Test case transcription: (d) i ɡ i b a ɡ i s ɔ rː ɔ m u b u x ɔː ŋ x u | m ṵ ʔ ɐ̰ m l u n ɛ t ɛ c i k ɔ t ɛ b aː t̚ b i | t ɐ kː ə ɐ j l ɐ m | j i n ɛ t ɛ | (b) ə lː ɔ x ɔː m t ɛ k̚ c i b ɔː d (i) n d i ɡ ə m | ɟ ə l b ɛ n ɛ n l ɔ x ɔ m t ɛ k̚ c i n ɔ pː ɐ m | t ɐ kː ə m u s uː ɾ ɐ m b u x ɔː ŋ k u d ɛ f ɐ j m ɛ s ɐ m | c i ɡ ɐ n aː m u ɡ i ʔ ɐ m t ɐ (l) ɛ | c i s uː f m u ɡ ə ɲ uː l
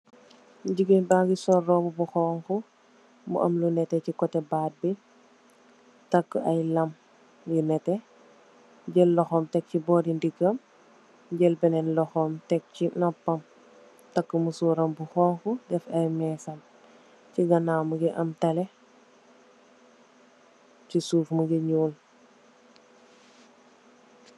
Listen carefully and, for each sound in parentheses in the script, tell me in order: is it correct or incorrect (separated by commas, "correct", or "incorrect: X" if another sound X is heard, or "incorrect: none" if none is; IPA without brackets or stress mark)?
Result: incorrect: ɟ, incorrect: ɟ, correct, correct